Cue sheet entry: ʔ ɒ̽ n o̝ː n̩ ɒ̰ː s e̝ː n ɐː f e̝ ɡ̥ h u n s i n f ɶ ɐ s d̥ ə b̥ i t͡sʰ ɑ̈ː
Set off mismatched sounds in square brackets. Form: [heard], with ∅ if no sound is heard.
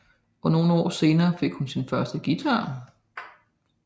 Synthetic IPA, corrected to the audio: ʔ ɒ̽ n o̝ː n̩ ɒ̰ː s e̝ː n ɐː f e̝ ɡ̥ h u n s i n f ɶ ɐ s d̥ ə [ɡ̥] i t͡sʰ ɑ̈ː